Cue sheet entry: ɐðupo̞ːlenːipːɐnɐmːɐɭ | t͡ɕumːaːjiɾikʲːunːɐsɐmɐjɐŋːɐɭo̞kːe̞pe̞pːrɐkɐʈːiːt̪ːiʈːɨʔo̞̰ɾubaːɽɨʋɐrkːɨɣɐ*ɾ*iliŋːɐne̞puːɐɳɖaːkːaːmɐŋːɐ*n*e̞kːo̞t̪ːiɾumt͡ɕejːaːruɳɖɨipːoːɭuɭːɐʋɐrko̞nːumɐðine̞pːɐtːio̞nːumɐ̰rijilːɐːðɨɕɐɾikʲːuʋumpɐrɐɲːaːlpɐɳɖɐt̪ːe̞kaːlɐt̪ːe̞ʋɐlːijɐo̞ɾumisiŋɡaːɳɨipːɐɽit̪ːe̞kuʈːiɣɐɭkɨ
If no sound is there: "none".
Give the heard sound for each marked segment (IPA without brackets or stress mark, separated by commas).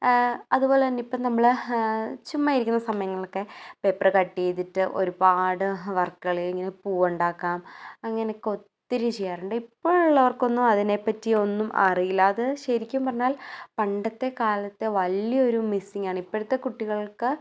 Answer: ɭ, n